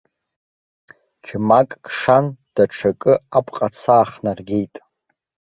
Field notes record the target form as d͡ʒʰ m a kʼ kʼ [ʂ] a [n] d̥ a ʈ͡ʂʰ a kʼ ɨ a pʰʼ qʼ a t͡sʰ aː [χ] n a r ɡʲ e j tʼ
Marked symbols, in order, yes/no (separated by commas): yes, yes, yes